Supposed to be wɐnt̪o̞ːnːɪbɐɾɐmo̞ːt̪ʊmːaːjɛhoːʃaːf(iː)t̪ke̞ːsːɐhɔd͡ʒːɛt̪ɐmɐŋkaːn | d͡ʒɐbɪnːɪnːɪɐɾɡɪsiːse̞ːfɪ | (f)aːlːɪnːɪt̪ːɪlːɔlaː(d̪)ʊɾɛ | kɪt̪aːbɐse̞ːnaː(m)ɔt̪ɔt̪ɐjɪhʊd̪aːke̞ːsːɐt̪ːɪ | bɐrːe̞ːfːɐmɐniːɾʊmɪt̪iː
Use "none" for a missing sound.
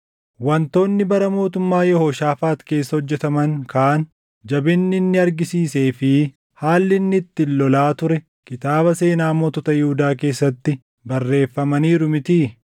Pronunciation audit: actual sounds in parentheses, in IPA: aː, h, t̪, m

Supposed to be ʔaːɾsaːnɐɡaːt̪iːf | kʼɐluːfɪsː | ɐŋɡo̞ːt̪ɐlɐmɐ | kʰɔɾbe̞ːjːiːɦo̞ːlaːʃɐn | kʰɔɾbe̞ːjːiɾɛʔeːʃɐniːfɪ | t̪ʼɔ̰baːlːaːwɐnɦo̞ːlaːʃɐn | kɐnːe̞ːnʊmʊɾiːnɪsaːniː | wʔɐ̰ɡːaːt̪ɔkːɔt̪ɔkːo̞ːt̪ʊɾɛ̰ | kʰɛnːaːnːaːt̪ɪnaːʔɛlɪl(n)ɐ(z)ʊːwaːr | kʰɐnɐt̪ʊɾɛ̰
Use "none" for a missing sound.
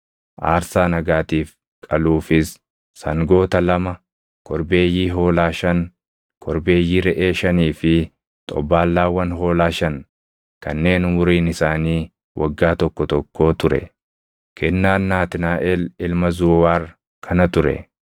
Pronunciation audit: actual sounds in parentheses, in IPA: m, z

